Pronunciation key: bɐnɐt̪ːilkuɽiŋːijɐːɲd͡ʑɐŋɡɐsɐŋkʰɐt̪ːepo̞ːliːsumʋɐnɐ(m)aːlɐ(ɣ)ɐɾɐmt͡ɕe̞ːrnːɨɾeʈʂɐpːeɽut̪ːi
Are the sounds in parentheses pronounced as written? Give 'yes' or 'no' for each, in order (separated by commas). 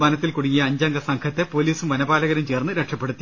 no, yes